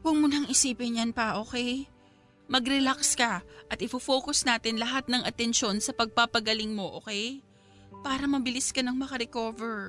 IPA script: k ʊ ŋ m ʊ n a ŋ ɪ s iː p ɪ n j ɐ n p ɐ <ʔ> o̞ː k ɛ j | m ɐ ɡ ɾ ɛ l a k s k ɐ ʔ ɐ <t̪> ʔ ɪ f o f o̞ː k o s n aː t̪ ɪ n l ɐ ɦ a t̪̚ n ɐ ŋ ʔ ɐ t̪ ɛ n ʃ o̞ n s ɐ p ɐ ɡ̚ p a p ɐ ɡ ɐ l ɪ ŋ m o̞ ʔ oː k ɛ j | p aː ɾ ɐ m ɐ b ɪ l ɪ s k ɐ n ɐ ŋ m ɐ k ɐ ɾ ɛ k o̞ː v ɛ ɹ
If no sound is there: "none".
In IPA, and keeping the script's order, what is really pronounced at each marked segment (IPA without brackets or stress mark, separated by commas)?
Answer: ʔ, t̪